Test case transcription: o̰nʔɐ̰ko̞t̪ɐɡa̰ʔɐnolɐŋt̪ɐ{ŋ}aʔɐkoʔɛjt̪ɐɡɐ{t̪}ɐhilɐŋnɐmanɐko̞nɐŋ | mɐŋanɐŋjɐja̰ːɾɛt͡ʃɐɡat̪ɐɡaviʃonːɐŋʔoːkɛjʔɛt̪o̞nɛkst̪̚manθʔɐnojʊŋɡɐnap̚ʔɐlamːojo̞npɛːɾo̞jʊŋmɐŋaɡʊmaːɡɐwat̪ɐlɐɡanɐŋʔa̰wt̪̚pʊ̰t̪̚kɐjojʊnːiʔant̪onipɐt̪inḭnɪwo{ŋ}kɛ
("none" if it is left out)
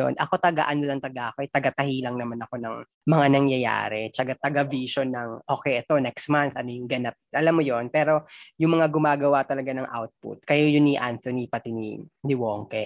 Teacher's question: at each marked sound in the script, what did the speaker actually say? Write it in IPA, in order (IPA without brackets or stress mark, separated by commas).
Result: ɡ, t̪, ŋ